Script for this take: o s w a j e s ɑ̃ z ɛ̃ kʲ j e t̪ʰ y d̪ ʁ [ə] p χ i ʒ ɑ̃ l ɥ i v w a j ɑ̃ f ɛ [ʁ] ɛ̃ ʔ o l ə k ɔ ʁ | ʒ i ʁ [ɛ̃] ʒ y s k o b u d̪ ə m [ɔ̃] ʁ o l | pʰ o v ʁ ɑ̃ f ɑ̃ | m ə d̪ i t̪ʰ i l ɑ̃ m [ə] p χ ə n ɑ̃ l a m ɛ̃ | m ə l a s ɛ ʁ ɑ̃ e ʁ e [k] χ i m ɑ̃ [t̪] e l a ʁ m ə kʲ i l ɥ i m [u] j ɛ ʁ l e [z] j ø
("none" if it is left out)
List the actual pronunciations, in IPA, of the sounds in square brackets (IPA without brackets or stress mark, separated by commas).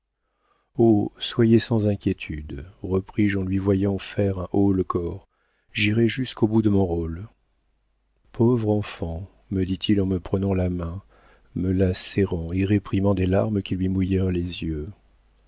ə, ʁ, ɛ, ɔ̃, ə, p, d̪, u, z